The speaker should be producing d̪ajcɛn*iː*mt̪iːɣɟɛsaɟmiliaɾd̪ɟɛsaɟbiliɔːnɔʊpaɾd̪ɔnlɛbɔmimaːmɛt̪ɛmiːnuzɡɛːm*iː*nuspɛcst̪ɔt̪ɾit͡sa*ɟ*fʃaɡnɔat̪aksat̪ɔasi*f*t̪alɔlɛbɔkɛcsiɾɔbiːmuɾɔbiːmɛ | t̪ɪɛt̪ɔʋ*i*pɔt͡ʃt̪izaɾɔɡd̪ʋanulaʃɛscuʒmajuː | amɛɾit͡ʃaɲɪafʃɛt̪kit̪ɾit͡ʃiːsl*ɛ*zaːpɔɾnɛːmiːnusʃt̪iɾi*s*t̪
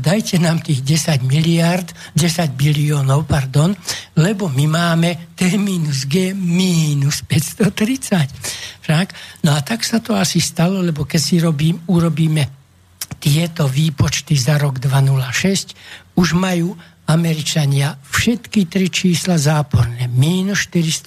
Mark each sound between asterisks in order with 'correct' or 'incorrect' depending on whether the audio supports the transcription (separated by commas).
incorrect, correct, incorrect, incorrect, incorrect, incorrect, correct